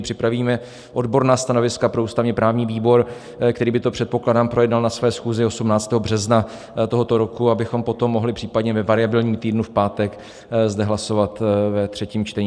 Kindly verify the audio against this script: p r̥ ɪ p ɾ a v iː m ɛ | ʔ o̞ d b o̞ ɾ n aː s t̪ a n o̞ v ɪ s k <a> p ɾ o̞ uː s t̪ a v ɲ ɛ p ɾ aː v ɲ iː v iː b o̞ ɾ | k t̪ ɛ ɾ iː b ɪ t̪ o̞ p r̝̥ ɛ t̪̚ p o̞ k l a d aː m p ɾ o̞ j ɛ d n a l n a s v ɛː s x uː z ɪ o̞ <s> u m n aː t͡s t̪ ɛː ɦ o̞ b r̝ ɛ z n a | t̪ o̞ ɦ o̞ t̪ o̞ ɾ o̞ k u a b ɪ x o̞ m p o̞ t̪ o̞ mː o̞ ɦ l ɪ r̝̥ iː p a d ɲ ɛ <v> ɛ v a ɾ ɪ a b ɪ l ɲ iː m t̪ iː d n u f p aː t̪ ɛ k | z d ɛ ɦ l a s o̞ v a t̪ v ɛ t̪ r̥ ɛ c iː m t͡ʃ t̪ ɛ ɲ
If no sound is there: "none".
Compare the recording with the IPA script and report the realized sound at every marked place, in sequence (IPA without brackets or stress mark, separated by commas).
a, s, v